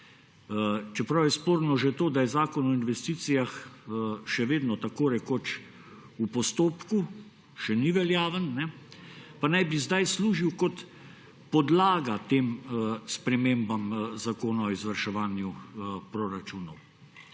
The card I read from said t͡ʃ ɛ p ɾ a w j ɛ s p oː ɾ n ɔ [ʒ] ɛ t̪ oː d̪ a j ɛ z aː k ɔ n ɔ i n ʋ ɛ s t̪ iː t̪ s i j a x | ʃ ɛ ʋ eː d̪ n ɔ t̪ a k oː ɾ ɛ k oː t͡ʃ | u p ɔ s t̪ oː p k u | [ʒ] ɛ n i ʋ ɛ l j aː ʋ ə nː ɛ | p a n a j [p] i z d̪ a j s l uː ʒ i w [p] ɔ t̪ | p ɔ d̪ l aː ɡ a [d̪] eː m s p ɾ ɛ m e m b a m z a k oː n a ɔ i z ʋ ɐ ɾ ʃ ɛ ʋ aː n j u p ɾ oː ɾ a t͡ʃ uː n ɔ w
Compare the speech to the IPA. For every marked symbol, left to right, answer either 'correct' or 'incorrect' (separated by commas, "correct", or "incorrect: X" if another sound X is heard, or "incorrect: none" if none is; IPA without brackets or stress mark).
correct, incorrect: ʃ, incorrect: b, incorrect: k, incorrect: t̪